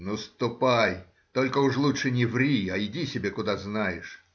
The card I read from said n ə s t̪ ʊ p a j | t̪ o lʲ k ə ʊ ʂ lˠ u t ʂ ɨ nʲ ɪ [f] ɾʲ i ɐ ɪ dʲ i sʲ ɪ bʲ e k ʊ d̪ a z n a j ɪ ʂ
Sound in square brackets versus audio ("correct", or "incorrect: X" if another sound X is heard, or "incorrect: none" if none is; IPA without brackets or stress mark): incorrect: v